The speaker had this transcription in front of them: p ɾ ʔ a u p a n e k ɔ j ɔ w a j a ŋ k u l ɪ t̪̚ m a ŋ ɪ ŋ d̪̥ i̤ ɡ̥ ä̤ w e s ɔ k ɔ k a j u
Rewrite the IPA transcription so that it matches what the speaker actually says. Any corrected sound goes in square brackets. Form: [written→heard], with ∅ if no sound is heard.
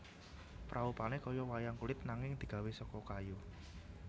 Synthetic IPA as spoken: p ɾ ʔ a u p a n e k ɔ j ɔ w a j a ŋ k u l ɪ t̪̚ [m→n] a ŋ ɪ ŋ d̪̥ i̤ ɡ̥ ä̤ w e s ɔ k ɔ k a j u

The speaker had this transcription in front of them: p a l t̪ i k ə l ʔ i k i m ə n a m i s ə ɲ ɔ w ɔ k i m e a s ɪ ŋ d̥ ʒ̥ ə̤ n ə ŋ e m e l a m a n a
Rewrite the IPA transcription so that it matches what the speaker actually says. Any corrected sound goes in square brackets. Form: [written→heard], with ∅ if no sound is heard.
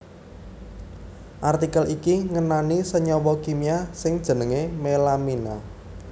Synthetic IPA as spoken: [p→ʔ] a [l→r] t̪ i k ə l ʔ i k i [m→ŋ] ə n a [m→n] i s ə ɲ ɔ w ɔ k i m [e→i] a s ɪ ŋ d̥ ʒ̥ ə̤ n ə ŋ e m e l a m [a→i] n a

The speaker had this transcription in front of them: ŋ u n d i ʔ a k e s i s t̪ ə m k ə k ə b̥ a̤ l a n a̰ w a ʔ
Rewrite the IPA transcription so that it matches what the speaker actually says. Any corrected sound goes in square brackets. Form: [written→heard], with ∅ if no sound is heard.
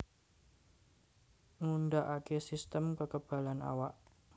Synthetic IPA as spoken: ŋ u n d [i→a] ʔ a k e s i s t̪ ə m k ə k ə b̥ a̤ l a n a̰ w a ʔ

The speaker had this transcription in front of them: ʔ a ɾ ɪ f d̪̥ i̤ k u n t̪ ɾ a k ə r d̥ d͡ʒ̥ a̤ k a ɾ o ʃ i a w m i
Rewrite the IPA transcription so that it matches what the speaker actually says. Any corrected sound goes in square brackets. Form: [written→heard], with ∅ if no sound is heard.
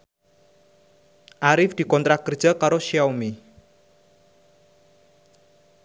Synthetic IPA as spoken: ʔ a ɾ ɪ f d̪̥ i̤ k [u→ɔ] n t̪ ɾ a k ə r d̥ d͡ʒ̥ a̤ k a ɾ o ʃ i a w m i

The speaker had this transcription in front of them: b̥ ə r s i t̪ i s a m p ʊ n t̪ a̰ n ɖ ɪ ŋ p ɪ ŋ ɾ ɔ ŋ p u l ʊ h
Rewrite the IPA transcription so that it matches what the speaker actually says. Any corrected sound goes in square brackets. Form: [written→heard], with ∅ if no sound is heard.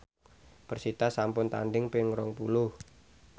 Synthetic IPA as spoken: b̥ ə r s i t̪ [i→a] s a m p ʊ n t̪ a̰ n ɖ ɪ ŋ p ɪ ŋ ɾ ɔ ŋ p u l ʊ h

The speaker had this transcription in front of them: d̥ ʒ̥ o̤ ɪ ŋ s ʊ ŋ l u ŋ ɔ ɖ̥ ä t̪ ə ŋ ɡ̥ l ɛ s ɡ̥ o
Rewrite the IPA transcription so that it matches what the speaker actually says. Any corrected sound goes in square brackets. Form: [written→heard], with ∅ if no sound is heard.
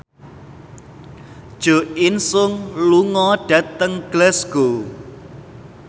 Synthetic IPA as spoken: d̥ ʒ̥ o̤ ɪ [ŋ→n] s ʊ ŋ l u ŋ ɔ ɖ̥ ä t̪ ə ŋ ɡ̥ l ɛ s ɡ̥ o

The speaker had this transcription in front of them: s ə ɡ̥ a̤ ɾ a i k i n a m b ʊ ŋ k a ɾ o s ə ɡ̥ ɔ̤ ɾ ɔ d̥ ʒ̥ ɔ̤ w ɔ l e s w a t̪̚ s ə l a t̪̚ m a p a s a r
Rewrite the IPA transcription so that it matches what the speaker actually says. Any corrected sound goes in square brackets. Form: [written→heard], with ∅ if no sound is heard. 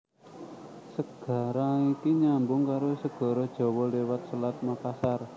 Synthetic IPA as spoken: s ə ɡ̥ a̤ ɾ a i k i [n→ɲ] a m b ʊ ŋ k a ɾ o s ə ɡ̥ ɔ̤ ɾ ɔ d̥ ʒ̥ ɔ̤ w ɔ l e [s→∅] w a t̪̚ s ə l a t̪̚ m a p a s a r

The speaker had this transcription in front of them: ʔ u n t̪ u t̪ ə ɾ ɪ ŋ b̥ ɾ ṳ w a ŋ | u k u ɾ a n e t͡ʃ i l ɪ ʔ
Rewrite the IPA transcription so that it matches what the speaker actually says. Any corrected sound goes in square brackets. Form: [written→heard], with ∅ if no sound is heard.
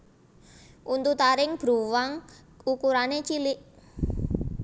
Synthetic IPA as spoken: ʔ u n t̪ u t̪ [ə→a] ɾ ɪ ŋ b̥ ɾ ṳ w a ŋ | u k u ɾ a n e t͡ʃ i l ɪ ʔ

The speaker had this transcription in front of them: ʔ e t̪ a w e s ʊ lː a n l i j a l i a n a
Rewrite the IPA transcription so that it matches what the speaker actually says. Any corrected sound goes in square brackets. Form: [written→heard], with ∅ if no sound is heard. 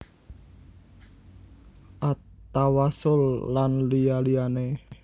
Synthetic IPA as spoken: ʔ [e→a] t̪ a w [e→a] s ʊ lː a n l i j a l i a n [a→e]

